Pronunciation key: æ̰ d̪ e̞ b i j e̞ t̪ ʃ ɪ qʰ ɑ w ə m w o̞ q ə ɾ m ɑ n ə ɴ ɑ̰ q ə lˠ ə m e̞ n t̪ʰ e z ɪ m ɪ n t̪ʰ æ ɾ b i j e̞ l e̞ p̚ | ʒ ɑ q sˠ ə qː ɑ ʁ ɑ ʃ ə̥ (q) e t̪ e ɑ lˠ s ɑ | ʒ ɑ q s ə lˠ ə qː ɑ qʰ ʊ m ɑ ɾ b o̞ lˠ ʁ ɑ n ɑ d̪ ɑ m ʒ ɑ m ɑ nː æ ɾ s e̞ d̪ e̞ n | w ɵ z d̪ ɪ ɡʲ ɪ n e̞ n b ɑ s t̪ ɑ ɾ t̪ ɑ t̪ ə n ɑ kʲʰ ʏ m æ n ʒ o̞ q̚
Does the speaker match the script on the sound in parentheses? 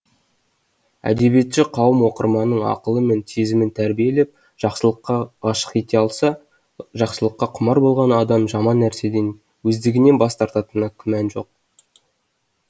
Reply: yes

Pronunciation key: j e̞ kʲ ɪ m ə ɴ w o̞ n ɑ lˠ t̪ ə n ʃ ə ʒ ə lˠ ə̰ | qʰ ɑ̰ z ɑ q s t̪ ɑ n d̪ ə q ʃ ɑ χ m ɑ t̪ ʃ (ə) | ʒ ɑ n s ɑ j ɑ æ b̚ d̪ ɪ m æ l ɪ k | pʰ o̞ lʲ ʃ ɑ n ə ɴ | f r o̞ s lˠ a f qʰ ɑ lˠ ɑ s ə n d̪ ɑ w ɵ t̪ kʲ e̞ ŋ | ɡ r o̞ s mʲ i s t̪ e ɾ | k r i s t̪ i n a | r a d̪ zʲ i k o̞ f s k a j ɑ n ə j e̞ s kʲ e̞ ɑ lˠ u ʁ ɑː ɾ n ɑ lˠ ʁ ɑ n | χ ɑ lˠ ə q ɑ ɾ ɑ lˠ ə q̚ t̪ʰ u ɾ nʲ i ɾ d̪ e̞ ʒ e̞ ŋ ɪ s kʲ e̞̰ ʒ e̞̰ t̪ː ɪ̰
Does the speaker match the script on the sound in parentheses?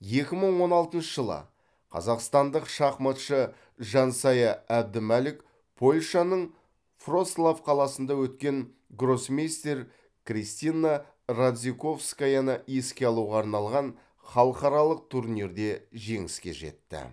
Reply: yes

